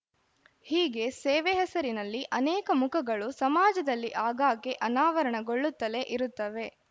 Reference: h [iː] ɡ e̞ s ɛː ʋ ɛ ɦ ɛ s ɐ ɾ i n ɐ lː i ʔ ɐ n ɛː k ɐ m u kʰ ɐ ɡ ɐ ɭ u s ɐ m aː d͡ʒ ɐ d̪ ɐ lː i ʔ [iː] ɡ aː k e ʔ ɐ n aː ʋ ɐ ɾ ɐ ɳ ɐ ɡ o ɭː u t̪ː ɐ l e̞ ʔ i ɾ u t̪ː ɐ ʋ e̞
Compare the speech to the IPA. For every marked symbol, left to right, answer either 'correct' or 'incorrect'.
correct, incorrect: aː

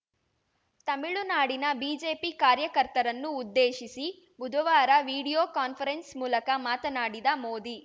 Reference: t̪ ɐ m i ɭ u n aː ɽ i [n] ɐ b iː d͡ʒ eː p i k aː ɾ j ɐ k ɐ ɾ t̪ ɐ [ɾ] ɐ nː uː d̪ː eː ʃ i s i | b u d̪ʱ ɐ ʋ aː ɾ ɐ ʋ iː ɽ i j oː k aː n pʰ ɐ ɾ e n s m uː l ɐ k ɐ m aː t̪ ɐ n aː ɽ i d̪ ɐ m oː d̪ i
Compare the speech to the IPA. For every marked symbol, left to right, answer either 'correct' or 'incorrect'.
correct, correct

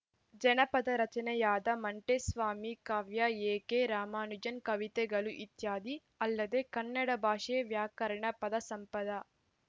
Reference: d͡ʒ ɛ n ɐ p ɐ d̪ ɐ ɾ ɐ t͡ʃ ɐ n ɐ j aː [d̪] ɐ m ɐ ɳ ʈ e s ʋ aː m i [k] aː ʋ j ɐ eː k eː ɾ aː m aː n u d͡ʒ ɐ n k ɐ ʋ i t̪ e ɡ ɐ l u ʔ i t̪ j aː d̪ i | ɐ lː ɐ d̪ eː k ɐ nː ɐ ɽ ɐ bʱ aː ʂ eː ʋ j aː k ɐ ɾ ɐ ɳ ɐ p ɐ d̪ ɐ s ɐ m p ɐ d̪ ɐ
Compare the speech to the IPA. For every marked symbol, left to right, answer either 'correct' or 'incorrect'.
correct, correct

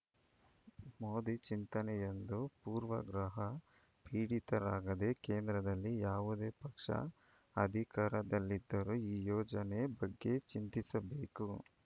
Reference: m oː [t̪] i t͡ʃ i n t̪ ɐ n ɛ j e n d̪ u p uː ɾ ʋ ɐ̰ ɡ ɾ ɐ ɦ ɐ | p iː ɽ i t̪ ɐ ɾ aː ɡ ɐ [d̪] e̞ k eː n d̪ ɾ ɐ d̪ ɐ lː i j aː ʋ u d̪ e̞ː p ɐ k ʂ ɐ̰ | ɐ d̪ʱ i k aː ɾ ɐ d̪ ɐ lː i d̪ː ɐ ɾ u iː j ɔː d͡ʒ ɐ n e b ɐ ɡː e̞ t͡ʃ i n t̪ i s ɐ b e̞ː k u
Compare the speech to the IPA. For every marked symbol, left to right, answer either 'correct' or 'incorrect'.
incorrect: d̪, correct

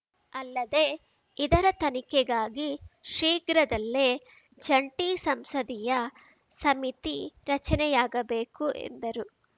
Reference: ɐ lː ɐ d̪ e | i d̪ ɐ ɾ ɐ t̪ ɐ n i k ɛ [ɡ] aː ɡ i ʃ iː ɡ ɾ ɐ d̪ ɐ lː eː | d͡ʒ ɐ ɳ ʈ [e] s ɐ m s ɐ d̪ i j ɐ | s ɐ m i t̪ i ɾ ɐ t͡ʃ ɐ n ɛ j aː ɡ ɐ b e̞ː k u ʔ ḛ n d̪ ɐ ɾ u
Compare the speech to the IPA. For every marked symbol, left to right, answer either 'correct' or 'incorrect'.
correct, incorrect: i

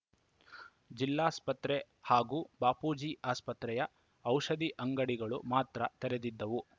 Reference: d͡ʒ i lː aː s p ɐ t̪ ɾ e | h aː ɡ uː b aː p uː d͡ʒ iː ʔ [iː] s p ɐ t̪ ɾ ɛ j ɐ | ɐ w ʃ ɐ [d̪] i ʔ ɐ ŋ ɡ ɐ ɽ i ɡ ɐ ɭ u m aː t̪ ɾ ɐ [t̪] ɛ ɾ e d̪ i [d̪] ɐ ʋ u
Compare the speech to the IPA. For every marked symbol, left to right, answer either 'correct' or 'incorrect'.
incorrect: aː, correct, correct, incorrect: d̪ː

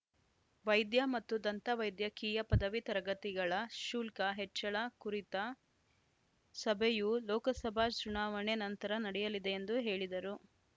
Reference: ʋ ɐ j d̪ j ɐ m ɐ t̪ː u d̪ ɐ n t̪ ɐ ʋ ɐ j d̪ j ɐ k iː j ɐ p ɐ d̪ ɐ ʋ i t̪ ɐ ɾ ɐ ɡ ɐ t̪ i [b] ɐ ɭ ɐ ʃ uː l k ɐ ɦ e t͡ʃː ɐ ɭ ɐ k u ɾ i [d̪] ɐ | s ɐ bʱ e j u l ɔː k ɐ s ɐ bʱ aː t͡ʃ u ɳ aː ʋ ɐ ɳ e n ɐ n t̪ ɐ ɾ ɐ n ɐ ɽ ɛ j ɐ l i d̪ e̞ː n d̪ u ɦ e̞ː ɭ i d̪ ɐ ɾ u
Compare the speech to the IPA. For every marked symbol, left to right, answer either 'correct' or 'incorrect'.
incorrect: ɡ, incorrect: t̪

